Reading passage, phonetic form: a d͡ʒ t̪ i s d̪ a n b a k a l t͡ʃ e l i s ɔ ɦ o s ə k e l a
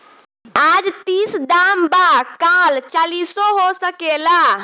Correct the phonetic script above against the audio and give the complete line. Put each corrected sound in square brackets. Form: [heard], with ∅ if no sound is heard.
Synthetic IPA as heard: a d͡ʒ t̪ i s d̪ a [m] b a k a l t͡ʃ [a] l i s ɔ ɦ o s ə k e l a